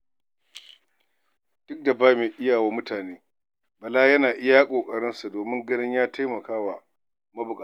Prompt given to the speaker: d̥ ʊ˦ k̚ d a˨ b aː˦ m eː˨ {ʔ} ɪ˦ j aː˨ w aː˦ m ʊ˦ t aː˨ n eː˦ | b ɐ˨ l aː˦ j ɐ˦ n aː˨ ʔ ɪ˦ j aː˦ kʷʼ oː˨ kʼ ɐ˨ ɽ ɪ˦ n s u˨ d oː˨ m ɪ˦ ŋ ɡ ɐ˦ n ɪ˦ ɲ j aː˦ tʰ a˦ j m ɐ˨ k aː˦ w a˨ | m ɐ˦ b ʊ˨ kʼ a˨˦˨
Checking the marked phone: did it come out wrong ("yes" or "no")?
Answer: no